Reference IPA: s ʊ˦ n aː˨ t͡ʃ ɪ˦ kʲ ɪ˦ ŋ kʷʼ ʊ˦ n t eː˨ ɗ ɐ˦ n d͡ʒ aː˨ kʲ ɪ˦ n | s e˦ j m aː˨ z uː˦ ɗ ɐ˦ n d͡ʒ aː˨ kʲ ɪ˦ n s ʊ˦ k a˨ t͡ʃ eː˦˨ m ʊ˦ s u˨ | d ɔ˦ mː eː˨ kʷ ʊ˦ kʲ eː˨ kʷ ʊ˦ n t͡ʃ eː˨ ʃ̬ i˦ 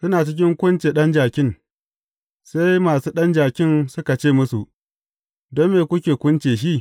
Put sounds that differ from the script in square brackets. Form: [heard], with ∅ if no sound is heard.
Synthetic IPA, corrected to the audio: s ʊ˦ n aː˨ t͡ʃ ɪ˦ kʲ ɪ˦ ŋ [kʷ] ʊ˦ n [t͡ʃ] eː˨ ɗ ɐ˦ n d͡ʒ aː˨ kʲ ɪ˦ n | s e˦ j m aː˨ [s] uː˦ ɗ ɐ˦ n d͡ʒ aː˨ kʲ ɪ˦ n s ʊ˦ k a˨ t͡ʃ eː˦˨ m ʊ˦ s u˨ | d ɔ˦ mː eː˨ kʷ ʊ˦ kʲ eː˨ kʷ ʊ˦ n t͡ʃ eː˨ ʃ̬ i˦